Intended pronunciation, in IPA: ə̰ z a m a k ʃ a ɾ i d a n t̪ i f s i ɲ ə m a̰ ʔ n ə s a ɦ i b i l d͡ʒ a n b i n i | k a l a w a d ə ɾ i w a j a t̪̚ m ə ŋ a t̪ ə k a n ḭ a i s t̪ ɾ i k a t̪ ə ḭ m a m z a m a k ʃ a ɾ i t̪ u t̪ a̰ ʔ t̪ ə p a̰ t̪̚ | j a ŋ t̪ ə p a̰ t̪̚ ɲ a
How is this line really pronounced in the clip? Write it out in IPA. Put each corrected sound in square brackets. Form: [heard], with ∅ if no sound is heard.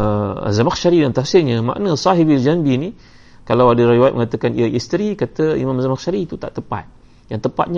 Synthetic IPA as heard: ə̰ z a m a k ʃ a ɾ i d a n t̪ [a] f s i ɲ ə m a̰ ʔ n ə s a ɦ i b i l d͡ʒ a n b i n i | k a l a w a d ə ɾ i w a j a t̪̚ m ə ŋ a t̪ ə k a n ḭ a i s t̪ ɾ i k a t̪ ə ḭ m a m z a m a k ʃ a ɾ i t̪ u t̪ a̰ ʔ t̪ ə p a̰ t̪̚ | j a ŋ t̪ ə p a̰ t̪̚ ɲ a